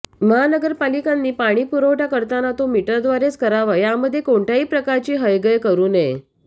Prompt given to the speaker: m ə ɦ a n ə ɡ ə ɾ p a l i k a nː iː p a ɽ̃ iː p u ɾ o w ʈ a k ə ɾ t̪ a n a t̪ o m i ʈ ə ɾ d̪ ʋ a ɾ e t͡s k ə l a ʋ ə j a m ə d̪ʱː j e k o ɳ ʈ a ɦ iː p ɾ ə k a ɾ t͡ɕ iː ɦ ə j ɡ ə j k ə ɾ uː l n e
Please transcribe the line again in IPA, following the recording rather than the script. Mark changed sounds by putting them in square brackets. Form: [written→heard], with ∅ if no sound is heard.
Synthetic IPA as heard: m ə ɦ a n ə ɡ ə ɾ p a l i k a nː iː p a ɽ̃ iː p u ɾ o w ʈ a k ə ɾ t̪ a n a t̪ o m i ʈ ə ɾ d̪ ʋ a ɾ e t͡s k ə [l→ɾ] a ʋ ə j a m ə d̪ʱː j e k o ɳ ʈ a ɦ iː p ɾ ə k a ɾ t͡ɕ iː ɦ ə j ɡ ə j k ə ɾ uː [l→∅] n e